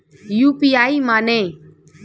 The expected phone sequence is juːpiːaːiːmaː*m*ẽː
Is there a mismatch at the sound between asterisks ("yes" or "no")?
yes